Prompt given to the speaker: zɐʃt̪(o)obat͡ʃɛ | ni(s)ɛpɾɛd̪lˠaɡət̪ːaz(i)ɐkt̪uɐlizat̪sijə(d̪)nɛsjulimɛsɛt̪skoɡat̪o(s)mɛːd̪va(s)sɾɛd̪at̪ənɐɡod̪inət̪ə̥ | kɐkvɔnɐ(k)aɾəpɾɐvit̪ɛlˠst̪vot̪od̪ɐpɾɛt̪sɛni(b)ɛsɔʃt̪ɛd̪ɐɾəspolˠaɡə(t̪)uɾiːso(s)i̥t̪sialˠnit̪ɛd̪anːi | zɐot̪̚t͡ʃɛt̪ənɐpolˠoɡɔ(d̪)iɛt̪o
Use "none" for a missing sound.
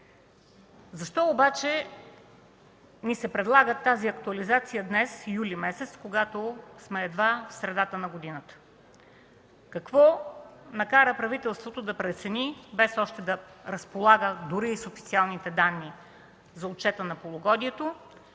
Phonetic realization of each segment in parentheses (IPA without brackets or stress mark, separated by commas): ɔ, s, i, d̪, s, f, k, b, d̪, f, d̪